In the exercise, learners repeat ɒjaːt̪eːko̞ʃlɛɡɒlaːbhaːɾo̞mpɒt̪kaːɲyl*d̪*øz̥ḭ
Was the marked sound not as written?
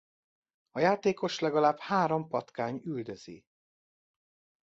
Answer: no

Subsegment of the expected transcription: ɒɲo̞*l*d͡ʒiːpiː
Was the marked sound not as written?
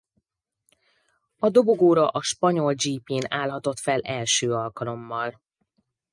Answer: no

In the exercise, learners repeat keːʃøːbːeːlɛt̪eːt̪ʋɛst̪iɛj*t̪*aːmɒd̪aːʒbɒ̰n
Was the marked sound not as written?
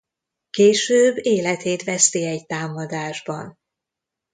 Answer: no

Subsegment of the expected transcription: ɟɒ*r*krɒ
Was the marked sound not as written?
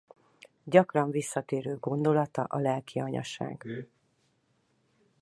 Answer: yes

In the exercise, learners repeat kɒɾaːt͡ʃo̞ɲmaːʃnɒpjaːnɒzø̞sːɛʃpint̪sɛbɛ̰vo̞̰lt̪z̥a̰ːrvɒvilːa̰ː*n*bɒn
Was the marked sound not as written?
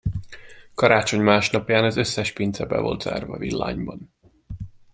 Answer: yes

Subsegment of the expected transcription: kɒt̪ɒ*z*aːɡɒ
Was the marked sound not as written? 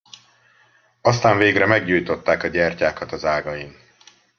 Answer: no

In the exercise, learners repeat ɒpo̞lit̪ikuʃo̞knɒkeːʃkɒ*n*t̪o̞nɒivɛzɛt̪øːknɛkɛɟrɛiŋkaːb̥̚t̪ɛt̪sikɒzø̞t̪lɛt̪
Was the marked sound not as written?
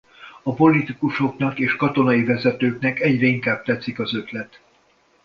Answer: yes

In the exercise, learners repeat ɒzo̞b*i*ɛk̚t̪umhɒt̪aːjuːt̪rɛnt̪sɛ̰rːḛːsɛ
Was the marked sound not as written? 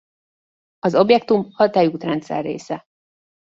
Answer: yes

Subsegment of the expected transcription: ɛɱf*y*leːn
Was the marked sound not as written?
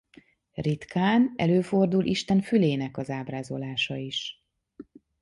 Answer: no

